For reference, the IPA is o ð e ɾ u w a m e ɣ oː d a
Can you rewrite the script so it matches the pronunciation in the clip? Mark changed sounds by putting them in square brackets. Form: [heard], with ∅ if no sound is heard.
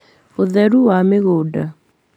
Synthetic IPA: o ð [ɛ] ɾ u w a m e ɣ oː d a